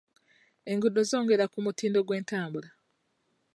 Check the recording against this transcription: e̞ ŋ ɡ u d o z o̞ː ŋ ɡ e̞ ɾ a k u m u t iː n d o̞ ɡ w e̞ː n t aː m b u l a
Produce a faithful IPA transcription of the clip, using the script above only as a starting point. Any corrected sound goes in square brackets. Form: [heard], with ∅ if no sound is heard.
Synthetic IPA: e̞ ŋ ɡ u d o z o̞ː ŋ ɡ e̞ ɾ a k u m u t iː n d o̞ ɡ w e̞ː n t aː m b u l a